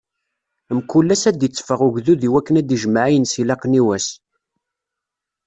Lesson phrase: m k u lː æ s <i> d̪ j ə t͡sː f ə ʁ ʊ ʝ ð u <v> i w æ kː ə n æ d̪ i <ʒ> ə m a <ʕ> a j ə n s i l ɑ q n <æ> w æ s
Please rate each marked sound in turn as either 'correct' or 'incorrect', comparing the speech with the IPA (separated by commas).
incorrect, incorrect, correct, correct, incorrect